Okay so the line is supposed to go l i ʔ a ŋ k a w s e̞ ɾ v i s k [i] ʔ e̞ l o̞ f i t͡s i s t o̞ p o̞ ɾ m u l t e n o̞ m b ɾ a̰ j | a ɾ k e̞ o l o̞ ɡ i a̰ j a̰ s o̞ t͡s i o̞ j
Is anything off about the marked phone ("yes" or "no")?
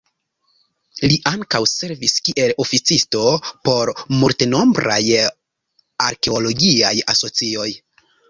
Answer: no